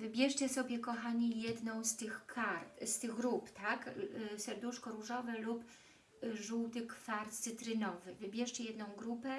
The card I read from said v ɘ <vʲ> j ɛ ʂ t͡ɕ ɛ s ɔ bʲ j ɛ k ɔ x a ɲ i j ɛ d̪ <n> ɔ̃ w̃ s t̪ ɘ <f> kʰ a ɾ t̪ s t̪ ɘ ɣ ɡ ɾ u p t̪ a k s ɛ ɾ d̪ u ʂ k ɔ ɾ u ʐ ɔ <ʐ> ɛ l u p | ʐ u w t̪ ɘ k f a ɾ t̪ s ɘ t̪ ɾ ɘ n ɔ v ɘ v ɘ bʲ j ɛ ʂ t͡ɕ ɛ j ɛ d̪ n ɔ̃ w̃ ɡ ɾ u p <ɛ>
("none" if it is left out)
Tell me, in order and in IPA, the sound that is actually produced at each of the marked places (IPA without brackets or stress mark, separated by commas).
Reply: bʲ, n, x, v, ɛ